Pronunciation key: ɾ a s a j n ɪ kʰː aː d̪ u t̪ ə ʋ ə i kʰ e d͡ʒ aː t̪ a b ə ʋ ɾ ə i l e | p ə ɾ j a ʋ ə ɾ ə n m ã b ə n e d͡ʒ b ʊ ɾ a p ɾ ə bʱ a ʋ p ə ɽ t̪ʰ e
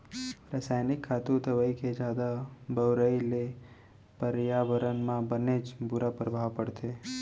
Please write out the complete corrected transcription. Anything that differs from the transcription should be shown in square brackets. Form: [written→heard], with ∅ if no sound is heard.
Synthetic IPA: ɾ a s a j n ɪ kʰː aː [d̪→t̪] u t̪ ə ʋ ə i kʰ e d͡ʒ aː [t̪→d̪] a b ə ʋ ɾ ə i l e | p ə ɾ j a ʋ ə ɾ ə n m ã b ə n e d͡ʒ b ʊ ɾ a p ɾ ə bʱ a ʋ p ə ɽ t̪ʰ e